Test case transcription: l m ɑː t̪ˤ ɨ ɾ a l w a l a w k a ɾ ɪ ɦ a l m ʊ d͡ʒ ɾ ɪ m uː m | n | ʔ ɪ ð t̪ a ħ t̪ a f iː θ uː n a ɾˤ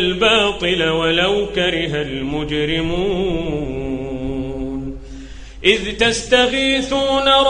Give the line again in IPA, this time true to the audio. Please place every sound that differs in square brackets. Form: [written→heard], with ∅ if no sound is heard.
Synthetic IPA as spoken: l [m→b] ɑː t̪ˤ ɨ [ɾ→l] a [l→∅] w a l a w k a ɾ ɪ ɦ a l m ʊ d͡ʒ ɾ ɪ m uː [m→∅] | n | ʔ ɪ ð t̪ a [ħ→s] t̪ a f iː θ uː n a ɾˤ